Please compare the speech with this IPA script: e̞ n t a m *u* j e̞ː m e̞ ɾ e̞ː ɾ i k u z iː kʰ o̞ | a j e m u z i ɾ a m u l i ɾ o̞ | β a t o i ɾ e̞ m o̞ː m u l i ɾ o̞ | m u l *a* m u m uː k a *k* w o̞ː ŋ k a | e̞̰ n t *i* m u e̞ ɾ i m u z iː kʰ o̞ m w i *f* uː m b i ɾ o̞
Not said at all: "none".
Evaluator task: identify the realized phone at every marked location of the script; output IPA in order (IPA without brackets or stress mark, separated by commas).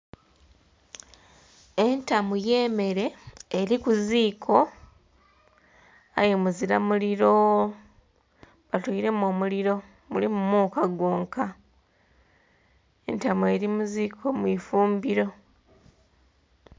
u, i, ɡ, a, f